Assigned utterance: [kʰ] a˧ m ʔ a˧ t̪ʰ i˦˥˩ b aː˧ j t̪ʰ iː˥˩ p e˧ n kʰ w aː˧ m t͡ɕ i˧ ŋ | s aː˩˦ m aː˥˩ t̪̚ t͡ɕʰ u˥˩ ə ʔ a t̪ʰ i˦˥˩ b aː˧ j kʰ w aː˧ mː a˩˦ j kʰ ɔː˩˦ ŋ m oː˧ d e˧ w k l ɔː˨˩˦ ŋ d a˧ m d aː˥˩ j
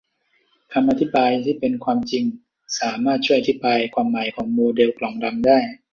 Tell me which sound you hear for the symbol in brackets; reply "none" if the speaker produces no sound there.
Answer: kʰ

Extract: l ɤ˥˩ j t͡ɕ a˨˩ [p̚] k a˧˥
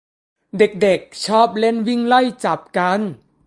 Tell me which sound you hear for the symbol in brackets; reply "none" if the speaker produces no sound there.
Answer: p̚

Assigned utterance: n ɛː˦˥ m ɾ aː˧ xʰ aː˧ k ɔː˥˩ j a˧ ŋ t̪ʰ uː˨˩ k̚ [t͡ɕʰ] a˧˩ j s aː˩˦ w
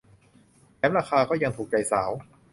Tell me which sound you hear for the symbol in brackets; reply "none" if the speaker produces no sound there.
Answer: t͡ɕ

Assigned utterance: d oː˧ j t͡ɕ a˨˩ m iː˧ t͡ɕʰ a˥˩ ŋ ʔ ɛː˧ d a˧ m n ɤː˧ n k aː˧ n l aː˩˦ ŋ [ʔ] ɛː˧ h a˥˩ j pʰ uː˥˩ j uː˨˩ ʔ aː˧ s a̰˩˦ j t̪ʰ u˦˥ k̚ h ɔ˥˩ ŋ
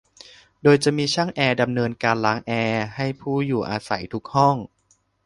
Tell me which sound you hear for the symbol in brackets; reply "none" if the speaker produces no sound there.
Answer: ʔ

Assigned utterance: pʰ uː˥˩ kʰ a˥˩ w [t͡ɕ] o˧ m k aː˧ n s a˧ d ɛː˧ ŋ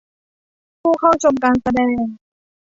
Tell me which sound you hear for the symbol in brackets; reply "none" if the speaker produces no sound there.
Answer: t͡ɕʰ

